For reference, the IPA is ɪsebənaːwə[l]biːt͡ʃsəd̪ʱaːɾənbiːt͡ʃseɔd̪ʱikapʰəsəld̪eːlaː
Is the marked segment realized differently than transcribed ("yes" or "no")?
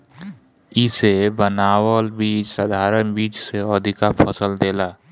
no